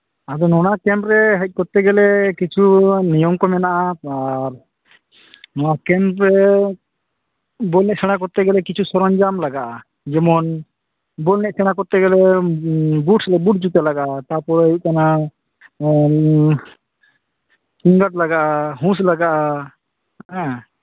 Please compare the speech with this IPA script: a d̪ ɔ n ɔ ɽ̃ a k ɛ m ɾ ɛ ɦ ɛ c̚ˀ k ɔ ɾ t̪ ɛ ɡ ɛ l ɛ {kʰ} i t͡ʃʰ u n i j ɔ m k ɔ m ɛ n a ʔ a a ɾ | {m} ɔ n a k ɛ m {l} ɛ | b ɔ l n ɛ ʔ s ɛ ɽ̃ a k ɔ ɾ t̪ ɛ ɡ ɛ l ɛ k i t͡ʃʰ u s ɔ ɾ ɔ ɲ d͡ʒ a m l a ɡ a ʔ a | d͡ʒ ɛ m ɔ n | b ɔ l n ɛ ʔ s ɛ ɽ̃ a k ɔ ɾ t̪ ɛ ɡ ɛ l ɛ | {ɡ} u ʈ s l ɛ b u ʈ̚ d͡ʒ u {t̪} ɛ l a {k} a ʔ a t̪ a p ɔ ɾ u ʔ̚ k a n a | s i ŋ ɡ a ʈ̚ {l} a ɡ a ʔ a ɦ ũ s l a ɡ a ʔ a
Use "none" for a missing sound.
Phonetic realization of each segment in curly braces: k, n, ɾ, b, t̪, ɡ, l

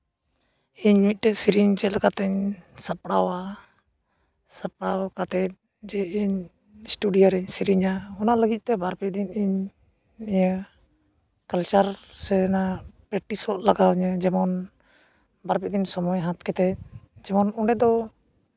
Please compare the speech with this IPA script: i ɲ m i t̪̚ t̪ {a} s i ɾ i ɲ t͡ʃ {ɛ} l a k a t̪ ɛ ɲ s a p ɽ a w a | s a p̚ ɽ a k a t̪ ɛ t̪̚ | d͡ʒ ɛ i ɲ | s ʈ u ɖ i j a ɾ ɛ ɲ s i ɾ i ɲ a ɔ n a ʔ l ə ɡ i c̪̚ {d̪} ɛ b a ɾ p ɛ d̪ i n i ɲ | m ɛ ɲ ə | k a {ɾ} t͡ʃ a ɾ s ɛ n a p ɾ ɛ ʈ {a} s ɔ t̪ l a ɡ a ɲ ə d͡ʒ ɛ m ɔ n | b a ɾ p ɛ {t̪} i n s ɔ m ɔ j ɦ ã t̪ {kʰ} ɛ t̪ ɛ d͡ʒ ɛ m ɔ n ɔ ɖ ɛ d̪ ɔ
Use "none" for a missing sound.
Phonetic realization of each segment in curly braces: ɛ, ɛ, t̪, l, i, d̪, k

